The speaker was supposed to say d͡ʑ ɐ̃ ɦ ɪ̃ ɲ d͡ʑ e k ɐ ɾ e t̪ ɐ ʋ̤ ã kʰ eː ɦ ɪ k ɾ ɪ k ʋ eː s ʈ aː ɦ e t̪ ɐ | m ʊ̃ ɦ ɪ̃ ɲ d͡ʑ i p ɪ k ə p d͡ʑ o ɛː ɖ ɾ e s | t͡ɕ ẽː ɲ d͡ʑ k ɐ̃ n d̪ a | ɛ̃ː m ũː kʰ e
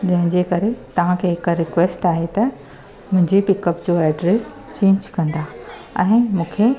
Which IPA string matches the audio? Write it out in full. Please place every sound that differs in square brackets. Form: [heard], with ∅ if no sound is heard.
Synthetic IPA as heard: d͡ʑ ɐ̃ ɦ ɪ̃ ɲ d͡ʑ e k ɐ ɾ e t̪ ɐ ʋ̤ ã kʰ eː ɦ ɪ k ɾ ɪ k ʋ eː s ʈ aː ɦ e t̪ ɐ | m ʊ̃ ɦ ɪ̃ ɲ d͡ʑ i p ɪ k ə p d͡ʑ o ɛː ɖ ɾ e s | t͡ɕ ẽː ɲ d͡ʑ k ɐ̃ n d̪ a | ɛ̃ː m ũː kʰ e